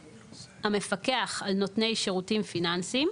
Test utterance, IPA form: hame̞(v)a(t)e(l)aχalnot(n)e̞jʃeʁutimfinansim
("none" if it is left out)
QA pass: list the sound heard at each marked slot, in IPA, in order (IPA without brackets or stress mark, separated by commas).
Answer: f, k, none, n